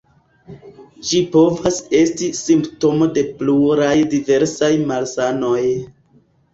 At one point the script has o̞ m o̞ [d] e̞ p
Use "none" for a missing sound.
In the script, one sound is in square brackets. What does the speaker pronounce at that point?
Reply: d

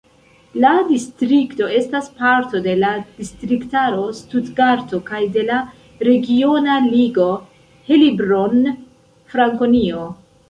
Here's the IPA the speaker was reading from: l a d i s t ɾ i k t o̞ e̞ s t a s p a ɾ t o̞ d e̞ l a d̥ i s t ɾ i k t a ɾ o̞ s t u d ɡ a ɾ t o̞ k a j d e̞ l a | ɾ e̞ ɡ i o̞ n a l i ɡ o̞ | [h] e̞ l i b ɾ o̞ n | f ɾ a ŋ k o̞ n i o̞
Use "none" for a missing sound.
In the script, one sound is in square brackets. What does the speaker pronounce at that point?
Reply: h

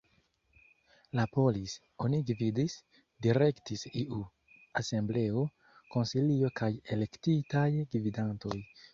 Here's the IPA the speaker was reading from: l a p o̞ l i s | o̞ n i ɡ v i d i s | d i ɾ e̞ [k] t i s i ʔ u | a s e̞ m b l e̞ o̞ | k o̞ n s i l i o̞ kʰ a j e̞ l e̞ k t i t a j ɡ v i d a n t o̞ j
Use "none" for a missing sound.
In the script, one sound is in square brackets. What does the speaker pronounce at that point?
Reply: k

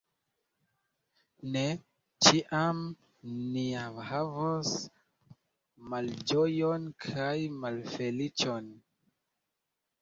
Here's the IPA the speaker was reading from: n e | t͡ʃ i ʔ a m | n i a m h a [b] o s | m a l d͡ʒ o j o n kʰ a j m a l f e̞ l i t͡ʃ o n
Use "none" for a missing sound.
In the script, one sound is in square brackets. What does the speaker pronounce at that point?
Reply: v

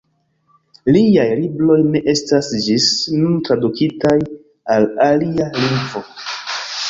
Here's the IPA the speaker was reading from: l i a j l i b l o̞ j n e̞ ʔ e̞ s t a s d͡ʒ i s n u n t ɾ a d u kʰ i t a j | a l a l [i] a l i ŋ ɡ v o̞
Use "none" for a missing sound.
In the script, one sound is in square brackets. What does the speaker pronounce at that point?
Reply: i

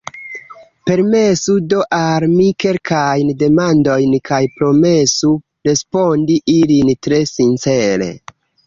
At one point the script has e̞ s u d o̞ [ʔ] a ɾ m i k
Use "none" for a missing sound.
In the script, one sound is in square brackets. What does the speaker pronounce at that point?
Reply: ʔ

